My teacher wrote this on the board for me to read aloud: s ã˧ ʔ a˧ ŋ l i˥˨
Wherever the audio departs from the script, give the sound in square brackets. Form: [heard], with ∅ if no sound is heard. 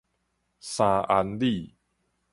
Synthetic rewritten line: s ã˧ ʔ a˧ [n] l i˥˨